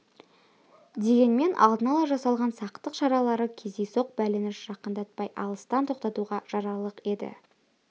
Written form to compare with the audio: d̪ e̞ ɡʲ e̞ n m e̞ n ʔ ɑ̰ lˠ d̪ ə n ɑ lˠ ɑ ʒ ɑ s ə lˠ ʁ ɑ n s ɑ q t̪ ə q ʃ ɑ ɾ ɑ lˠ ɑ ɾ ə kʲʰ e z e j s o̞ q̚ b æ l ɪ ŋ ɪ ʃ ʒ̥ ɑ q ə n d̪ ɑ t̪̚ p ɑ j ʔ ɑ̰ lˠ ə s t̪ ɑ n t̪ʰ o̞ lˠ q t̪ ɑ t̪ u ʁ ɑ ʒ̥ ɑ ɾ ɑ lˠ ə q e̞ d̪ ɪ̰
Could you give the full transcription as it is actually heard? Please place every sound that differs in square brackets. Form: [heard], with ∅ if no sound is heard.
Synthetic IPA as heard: d̪ e̞ ɡʲ e̞ n m e̞ n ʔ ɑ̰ lˠ d̪ ə n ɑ lˠ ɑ ʒ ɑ s [ɑ] lˠ ʁ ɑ n s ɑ q t̪ ə q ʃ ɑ ɾ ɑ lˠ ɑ ɾ ə kʲʰ e z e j s o̞ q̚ b æ l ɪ [n] ɪ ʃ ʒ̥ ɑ q ə n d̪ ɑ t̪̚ p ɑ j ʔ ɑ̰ lˠ ə s t̪ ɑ n t̪ʰ o̞ [∅] q t̪ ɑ t̪ u ʁ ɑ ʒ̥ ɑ ɾ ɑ lˠ ə q e̞ d̪ ɪ̰